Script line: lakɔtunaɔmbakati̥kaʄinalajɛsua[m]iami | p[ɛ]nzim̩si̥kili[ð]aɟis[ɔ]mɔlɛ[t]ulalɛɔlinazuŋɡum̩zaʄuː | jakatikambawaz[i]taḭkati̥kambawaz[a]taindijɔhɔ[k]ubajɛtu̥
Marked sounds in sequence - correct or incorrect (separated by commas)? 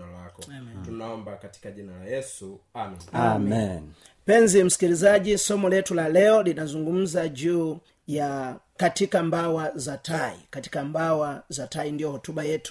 correct, correct, incorrect, correct, correct, incorrect, correct, incorrect